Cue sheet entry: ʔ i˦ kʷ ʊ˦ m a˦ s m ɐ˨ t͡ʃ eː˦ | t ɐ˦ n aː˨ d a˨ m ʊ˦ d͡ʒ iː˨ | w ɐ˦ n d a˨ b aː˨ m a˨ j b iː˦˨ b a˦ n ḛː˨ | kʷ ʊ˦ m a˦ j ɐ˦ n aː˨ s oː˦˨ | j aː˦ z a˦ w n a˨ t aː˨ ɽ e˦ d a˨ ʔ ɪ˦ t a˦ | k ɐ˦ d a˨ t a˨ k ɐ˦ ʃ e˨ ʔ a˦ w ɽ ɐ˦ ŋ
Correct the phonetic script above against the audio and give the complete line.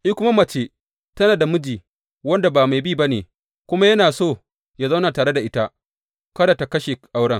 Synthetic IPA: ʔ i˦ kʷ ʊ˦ m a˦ m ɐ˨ t͡ʃ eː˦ | t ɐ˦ n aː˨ d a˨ m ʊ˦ d͡ʒ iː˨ | w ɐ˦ n d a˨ b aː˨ m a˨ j b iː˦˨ b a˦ n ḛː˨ | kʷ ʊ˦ m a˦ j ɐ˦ n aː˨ s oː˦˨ | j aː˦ z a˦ w n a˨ t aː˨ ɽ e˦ d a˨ ʔ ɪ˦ t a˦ | k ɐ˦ d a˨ t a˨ k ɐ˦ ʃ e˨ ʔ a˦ w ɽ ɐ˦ ŋ